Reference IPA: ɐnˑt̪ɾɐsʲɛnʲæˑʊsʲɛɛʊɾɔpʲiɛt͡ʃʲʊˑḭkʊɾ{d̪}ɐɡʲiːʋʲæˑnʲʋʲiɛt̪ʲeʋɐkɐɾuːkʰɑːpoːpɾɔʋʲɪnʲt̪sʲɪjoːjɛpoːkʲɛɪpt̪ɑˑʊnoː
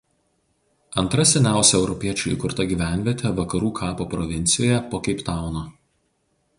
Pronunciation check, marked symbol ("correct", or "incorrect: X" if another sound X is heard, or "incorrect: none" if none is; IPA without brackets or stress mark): incorrect: t̪